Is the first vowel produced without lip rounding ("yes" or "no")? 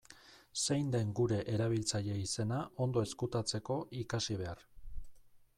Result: yes